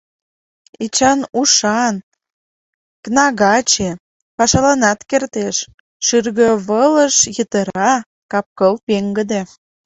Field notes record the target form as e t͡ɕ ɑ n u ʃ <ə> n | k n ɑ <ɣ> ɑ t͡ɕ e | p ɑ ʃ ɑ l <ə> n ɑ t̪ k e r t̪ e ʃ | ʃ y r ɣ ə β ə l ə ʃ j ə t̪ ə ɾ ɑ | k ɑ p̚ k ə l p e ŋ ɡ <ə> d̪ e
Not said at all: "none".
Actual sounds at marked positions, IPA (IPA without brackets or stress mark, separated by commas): ɑ, ɣ, ɑ, ə